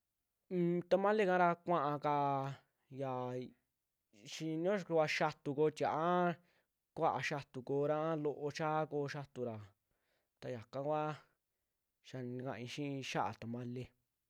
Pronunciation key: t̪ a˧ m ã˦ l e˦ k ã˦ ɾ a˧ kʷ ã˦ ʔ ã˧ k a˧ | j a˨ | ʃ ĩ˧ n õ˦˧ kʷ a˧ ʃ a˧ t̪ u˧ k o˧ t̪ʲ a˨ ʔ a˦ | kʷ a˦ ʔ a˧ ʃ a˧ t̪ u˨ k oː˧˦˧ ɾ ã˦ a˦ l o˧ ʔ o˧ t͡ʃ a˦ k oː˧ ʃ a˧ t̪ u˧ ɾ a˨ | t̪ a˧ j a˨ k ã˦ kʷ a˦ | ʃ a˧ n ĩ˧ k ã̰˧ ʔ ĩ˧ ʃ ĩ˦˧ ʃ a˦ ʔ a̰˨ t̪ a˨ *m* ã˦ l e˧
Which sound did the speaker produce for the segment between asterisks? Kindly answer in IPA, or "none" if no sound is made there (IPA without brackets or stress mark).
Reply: m